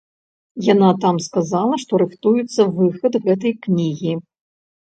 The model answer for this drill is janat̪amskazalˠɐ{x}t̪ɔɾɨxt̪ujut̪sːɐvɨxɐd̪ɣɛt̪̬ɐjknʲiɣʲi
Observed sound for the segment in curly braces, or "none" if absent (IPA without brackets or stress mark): ʂ